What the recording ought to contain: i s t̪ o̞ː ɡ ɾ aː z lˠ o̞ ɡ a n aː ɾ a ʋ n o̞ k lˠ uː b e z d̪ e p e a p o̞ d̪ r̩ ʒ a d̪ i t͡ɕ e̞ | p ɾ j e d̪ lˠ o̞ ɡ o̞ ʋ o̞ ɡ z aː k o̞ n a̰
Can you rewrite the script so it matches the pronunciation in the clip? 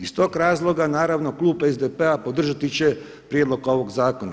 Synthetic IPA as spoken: i s t̪ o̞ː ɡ ɾ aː z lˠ o̞ ɡ a n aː ɾ a ʋ n o̞ k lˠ uː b e z d̪ e p e a p o̞ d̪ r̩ ʒ a t̪ i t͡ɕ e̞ | p ɾ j e d̪ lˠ o̞ ɡ o̞ ʋ o̞ ɡ z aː k o̞ n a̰